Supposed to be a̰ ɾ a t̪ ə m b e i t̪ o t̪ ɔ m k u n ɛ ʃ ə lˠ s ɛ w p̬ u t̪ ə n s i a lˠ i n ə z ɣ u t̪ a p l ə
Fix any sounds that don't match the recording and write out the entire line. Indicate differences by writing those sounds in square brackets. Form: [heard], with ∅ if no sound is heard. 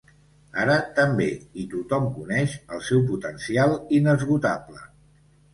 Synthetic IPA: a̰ ɾ [ə] t̪ ə m b e i t̪ [u] t̪ ɔ m k u n ɛ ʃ ə lˠ s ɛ w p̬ u t̪ ə n s i a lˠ i n ə z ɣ u t̪ a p l ə